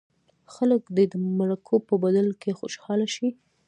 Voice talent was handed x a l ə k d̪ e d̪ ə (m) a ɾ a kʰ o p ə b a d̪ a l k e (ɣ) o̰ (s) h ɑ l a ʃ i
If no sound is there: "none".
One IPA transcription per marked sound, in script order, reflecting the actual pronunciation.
m, x, ʃ

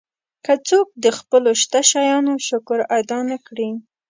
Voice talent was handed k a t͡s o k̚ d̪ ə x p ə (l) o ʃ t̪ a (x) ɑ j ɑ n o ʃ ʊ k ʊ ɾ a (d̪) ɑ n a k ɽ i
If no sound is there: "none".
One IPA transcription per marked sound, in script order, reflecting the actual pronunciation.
l, ʃ, d̪

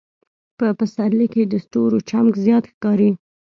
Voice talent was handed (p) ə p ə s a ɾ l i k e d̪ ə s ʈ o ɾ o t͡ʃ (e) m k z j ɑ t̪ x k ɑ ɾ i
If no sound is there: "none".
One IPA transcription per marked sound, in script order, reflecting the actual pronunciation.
p, a

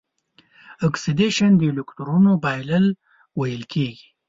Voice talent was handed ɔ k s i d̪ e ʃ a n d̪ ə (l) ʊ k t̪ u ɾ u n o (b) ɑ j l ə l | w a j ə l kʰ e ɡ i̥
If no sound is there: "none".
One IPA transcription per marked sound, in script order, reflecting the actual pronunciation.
l, b

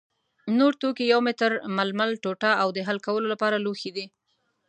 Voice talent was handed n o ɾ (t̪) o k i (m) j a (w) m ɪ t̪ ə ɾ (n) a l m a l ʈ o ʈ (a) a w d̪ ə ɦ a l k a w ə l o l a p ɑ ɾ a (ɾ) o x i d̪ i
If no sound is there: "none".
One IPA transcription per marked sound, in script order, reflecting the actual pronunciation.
t̪, none, w, m, a, l

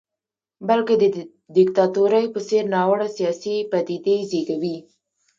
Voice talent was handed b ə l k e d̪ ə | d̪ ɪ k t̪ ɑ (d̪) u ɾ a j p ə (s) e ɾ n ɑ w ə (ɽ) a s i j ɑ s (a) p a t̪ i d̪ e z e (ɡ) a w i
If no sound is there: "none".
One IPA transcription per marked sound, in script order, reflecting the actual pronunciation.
t̪, s, ɽ, i, ɡ

